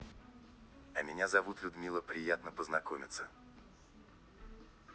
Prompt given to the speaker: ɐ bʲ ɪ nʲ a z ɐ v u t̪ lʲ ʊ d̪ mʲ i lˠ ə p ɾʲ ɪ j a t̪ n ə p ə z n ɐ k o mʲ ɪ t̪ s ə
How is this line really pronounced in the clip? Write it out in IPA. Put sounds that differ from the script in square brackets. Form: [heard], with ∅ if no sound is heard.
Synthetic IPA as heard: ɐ [mʲ] ɪ nʲ a z ɐ v u t̪ lʲ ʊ d̪ mʲ i lˠ ə p ɾʲ ɪ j a t̪ n ə p ə z n ɐ k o mʲ ɪ t̪ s ə